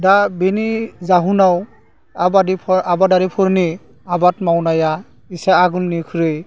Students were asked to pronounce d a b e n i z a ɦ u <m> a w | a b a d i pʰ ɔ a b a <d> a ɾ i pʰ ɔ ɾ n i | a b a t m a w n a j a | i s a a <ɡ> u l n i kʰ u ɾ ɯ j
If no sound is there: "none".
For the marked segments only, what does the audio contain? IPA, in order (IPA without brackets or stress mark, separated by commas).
n, d, ɡ